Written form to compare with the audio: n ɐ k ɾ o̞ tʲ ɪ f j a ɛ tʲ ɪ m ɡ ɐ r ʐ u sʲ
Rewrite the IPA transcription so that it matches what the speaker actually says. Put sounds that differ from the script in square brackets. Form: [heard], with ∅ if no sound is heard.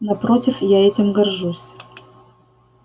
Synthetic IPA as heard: n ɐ [p] ɾ o̞ tʲ ɪ f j a ɛ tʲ ɪ m ɡ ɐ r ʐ u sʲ